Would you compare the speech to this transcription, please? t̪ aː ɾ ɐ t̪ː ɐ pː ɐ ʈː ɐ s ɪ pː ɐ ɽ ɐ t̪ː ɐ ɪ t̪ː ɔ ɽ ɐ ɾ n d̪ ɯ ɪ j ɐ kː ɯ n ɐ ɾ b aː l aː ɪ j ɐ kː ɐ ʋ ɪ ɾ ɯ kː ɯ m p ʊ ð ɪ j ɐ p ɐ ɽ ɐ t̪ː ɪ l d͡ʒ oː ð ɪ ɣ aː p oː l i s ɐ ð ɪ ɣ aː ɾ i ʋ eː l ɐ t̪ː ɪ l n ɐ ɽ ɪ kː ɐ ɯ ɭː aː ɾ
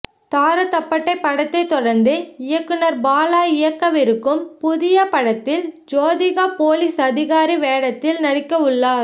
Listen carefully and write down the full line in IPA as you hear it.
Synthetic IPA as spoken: t̪ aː ɾ ɐ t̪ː ɐ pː ɐ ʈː ɐ ɪ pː ɐ ɽ ɐ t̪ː ɐ ɪ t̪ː ɔ ɽ ɐ ɾ n d̪ ɯ ɪ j ɐ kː ɯ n ɐ ɾ b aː l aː ɪ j ɐ kː ɐ ʋ ɪ ɾ ɯ kː ɯ m p ʊ ð ɪ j ɐ p ɐ ɽ ɐ t̪ː ɪ l d͡ʒ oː ð ɪ ɣ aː p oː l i s ɐ ð ɪ ɣ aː ɾ i ʋ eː ɽ ɐ t̪ː ɪ l n ɐ ɽ ɪ kː ɐ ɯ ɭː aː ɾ

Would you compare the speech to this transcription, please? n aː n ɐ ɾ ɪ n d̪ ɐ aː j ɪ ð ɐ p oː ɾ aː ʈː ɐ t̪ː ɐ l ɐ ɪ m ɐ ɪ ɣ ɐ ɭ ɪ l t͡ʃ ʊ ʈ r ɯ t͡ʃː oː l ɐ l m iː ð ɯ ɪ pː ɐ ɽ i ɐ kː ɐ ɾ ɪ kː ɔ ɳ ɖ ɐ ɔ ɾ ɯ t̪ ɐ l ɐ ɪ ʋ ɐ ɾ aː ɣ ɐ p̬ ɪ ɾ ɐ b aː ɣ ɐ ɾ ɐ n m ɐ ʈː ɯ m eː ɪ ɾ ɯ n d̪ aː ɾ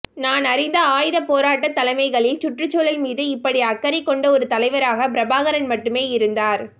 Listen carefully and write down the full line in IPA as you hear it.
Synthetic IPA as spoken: n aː n ɐ ɾ ɪ n d̪ ɐ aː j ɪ ð ɐ p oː ɾ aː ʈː ɐ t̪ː ɐ l ɐ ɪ m ɐ ɪ ɣ ɐ ɭ ɪ l t͡ʃ ʊ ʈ r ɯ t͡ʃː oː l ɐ l m iː ð ɯ ɪ pː ɐ ɽ i ɐ kː ɐ ɾ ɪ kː ɔ ɳ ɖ ɐ ɔ ɾ ɯ t̪ ɐ l ɐ ɪ ʋ ɐ ɾ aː ɣ ɐ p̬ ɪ ɾ ɐ b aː ɣ ɐ ɾ ɐ n m ɐ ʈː ɯ m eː ɪ ɾ ɯ n d̪ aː ɾ

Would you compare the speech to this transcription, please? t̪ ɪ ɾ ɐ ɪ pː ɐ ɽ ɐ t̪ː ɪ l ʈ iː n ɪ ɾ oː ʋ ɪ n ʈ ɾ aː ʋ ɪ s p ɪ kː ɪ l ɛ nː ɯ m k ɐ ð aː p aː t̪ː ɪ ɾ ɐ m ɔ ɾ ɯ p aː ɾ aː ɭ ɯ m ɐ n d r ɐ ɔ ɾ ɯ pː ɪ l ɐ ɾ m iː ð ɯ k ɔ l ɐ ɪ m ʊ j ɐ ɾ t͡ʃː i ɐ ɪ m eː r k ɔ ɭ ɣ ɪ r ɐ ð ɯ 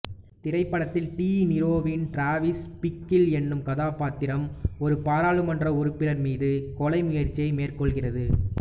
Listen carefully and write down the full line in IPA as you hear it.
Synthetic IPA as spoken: t̪ ɪ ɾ ɐ ɪ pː ɐ ɽ ɐ t̪ː ɪ l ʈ iː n ɪ ɾ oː ʋ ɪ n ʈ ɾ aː ʋ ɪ s p ɪ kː ɪ l ɛ nː ɯ m k ɐ ð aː p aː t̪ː ɪ ɾ ɐ m ɔ ɾ ɯ p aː ɾ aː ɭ ɯ m ɐ n d r ɐ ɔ ɾ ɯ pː ɪ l ɐ ɾ m iː ð ɯ k ɔ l ɐ ɪ m ʊ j ɐ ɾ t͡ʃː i ɐ ɪ m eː r k ɔ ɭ ɣ ɪ r ɐ ð ɯ

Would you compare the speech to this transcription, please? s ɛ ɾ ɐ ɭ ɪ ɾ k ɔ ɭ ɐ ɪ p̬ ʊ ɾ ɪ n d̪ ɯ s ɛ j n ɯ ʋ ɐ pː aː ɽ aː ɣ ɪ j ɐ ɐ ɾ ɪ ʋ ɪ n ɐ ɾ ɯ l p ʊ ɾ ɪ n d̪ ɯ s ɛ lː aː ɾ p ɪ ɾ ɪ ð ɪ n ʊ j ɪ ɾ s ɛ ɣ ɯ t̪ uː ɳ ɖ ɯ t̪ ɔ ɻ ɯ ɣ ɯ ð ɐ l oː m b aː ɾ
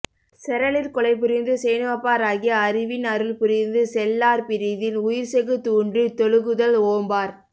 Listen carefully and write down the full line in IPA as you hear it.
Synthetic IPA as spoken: s ɛ ɾ ɐ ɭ ɪ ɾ k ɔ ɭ ɐ ɪ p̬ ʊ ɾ ɪ n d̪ ɯ s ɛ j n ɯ ʋ ɐ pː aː ɾ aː ɣ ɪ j ɐ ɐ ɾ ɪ ʋ ɪ n ɐ ɾ ɯ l p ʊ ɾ ɪ n d̪ ɯ s ɛ lː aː ɾ p ɪ ɾ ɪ ð ɪ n ʊ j ɪ ɾ s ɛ ɣ ɯ t̪ uː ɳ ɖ ɯ t̪ ɔ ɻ ɯ ɣ ɯ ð ɐ l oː m b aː ɾ

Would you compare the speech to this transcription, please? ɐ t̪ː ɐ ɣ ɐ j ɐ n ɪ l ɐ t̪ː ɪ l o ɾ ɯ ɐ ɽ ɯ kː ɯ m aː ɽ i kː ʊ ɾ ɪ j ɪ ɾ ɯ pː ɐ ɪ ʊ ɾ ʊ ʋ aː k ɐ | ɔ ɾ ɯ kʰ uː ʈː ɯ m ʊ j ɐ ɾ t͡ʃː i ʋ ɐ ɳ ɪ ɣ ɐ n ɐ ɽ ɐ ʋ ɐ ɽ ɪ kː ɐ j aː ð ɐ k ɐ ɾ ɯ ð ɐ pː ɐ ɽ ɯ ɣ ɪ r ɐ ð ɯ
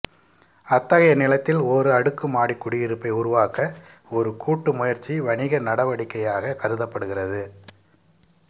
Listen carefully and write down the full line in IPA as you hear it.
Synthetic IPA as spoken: ɐ t̪ː ɐ ɣ ɐ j ɐ n ɪ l ɐ t̪ː ɪ l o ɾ ɯ ɐ ɽ ɯ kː ɯ m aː ɽ i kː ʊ ɽ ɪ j ɪ ɾ ɯ pː ɐ ɪ ʊ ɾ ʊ ʋ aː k ɐ | ɔ ɾ ɯ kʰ uː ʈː ɯ m ʊ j ɐ ɾ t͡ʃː i ʋ ɐ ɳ ɪ ɣ ɐ n ɐ ɽ ɐ ʋ ɐ ɽ ɪ kː ɐ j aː ɣ ɐ k ɐ ɾ ɯ ð ɐ pː ɐ ɽ ɯ ɣ ɪ r ɐ ð ɯ

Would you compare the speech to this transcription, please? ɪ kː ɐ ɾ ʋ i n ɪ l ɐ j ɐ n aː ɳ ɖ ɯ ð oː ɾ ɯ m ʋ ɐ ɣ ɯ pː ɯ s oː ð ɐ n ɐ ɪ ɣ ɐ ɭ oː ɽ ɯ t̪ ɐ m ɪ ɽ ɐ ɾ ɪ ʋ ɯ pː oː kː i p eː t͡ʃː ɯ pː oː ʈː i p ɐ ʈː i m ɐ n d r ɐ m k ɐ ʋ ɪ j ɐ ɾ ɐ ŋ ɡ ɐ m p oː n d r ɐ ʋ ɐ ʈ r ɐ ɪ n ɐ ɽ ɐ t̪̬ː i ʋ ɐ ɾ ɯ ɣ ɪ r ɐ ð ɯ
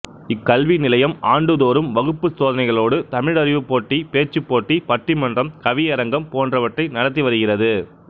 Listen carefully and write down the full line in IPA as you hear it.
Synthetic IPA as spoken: ɪ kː ɐ l ʋ i n ɪ l ɐ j ɐ m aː ɳ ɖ ɯ ð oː ɾ ɯ m ʋ ɐ ɣ ɯ pː ɯ s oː ð ɐ n ɐ ɪ ɣ ɐ ɭ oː ɽ ɯ t̪ ɐ m ɪ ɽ ɐ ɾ ɪ ʋ ɯ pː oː ʈː i p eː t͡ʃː ɯ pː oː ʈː i p ɐ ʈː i m ɐ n d r ɐ m k ɐ ʋ ɪ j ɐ ɾ ɐ ŋ ɡ ɐ m p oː n d r ɐ ʋ ɐ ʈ r ɐ ɪ n ɐ ɽ ɐ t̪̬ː i ʋ ɐ ɾ ɯ ɣ ɪ r ɐ ð ɯ

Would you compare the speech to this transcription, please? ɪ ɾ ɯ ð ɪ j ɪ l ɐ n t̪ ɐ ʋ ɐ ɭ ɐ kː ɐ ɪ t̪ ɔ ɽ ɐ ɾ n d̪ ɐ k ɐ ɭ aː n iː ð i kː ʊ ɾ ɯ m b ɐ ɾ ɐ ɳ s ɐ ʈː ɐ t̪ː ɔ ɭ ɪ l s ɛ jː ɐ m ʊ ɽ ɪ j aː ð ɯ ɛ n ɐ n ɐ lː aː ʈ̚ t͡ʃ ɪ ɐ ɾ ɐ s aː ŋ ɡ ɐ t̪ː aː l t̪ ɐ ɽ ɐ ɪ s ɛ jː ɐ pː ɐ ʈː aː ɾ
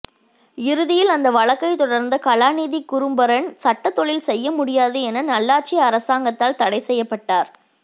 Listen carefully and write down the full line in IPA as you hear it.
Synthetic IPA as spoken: ɪ ɾ ɯ ð ɪ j ɪ l ɐ n d̪ ɐ ʋ ɐ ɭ ɐ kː ɐ ɪ t̪ ɔ ɽ ɐ ɾ n d̪ ɐ k ɐ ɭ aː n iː ð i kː ʊ ɾ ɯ m b ɐ ɾ ɐ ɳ s ɐ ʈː ɐ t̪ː ɔ ɭ ɪ l s ɛ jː ɐ m ʊ ɽ ɪ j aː ð ɯ ɛ n ɐ n ɐ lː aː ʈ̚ t͡ʃ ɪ ɐ ɾ ɐ s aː ŋ ɡ ɐ t̪ː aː l t̪ ɐ ɽ ɐ ɪ s ɛ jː ɐ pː ɐ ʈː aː ɾ

